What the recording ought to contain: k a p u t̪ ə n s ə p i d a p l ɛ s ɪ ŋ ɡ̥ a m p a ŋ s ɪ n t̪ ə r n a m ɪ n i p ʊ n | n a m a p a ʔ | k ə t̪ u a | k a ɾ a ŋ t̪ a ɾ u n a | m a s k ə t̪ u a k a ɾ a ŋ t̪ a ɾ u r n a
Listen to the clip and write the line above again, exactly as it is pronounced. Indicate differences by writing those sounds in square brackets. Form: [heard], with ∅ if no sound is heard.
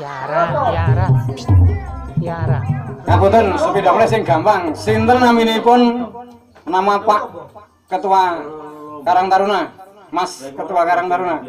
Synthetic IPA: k a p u t̪ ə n s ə p i d a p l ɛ s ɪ ŋ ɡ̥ a m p a ŋ s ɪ n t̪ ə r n a m [i] n i p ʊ n | n a m a p a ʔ | k ə t̪ u a | k a ɾ a ŋ t̪ a ɾ u n a | m a s k ə t̪ u a k a ɾ a ŋ t̪ a ɾ u [∅] n a